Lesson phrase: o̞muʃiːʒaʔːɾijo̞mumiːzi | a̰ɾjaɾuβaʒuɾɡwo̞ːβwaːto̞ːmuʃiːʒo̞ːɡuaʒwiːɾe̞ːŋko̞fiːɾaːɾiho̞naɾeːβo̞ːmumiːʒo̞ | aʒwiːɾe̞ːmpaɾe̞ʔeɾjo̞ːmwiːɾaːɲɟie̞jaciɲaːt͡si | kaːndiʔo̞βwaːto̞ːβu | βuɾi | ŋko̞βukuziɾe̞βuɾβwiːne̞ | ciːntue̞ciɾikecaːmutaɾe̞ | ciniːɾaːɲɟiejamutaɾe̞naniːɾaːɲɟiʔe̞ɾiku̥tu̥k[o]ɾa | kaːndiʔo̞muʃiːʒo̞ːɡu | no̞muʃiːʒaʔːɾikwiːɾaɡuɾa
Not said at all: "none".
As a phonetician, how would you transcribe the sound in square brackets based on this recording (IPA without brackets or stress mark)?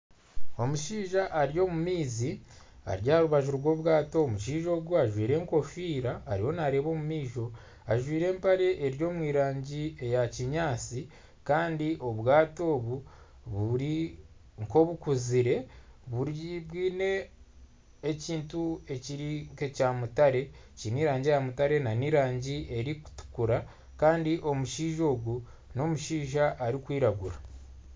u